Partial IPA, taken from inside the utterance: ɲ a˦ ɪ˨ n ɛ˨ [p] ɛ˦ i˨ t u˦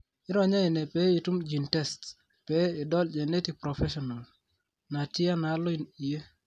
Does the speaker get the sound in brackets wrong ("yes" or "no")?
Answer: no